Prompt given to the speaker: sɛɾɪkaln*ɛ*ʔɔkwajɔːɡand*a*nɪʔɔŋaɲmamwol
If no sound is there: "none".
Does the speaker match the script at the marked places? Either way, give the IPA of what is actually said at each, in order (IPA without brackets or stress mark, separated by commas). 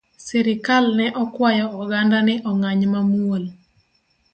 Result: ɛ, a